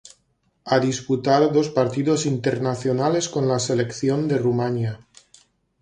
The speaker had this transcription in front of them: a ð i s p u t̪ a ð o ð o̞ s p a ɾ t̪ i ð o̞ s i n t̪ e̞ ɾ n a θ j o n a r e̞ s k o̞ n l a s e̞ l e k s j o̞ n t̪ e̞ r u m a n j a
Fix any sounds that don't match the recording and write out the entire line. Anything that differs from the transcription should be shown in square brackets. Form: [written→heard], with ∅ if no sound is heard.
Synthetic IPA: a ð i s p u t̪ a ð o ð o̞ s p a ɾ t̪ i ð o̞ s i n t̪ e̞ ɾ n a θ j o n a [r→l] e̞ s k o̞ n l a s e̞ l e k [s→θ] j o̞ n [t̪→d̪] e̞ r u m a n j a